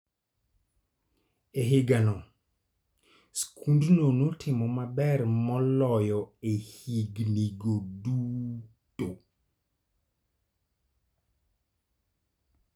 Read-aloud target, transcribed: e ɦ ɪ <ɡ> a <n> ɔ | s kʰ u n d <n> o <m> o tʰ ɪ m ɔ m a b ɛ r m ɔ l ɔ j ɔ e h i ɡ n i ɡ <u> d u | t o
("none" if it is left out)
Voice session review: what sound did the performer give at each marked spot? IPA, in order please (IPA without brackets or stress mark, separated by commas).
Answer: ɡ, n, n, n, o